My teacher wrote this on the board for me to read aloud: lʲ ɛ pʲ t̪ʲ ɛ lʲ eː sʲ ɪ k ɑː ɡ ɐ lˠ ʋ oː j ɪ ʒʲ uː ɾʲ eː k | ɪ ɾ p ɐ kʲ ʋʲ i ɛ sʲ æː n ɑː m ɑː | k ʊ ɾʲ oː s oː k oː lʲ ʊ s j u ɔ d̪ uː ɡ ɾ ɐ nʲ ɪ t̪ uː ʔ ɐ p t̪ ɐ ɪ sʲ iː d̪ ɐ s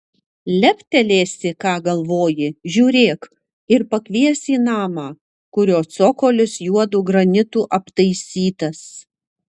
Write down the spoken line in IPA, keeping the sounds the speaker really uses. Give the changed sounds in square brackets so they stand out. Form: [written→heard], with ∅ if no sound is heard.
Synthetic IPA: lʲ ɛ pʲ t̪ʲ ɛ lʲ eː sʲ ɪ k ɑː ɡ ɐ lˠ ʋ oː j ɪ ʒʲ uː ɾʲ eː k | ɪ ɾ p ɐ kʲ ʋʲ i ɛ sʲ [æː→iː] n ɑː m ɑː | k ʊ ɾʲ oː s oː k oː lʲ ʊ s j u ɔ d̪ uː ɡ ɾ ɐ nʲ ɪ t̪ uː ʔ ɐ p t̪ ɐ ɪ sʲ iː [d̪→t̪] ɐ s